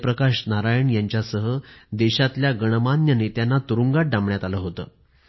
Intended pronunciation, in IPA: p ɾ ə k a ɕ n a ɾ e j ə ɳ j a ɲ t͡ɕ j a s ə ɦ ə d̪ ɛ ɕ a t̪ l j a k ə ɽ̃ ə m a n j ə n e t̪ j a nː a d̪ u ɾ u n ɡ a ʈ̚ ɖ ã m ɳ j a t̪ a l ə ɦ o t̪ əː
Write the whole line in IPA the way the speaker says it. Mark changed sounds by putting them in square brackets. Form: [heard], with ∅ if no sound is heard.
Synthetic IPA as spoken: p ɾ ə k a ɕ n a ɾ [a] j ə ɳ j a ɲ t͡ɕ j a s ə ɦ ə d̪ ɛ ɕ a t̪ l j a [ɡ] ə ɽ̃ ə m a n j ə n e t̪ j a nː a [t̪] u ɾ u [ŋ] ɡ a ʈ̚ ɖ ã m ɳ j a t̪ a l ə ɦ o t̪ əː